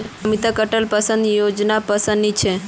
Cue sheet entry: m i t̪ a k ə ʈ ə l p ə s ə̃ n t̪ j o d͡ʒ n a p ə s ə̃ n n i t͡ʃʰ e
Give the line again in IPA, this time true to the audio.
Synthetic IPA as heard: m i t̪ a k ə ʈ ə l p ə s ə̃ n d̪ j o d͡ʒ n a p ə s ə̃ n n i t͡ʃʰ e